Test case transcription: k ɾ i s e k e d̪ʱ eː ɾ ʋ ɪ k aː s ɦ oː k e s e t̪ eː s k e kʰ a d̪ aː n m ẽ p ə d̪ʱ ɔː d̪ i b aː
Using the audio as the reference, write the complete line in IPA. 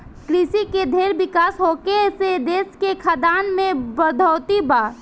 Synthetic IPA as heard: k ɾ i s i k e d̪ʱ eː ɾ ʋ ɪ k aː s ɦ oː k e s e d̪ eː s k e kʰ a d̪ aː n m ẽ b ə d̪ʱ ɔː t̪ i b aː